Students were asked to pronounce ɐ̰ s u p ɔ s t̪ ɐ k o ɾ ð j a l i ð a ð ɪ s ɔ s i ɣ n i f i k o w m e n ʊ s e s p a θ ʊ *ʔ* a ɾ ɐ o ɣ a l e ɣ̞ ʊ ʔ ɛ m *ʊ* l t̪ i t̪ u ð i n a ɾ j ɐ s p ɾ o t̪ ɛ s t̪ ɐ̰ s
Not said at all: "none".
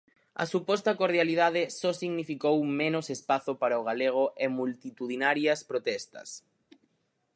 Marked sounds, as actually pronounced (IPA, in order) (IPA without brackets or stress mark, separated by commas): p, u